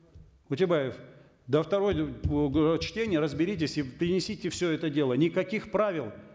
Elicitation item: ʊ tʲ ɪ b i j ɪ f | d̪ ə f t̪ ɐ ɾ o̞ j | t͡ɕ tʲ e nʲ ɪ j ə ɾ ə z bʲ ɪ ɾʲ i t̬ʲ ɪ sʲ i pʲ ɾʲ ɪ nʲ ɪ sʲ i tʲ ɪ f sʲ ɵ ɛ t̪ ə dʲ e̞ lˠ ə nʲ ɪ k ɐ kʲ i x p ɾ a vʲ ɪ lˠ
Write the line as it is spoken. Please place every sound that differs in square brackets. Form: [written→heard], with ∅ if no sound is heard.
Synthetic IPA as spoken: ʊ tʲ ɪ b [i→a] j ɪ f | d̪ ə f t̪ ɐ ɾ o̞ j | t͡ɕ tʲ e nʲ ɪ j ə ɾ ə z bʲ ɪ ɾʲ i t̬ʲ ɪ sʲ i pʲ ɾʲ ɪ nʲ ɪ sʲ i tʲ ɪ f sʲ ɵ ɛ t̪ ə dʲ e̞ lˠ ə nʲ ɪ k ɐ kʲ i x p ɾ a vʲ ɪ lˠ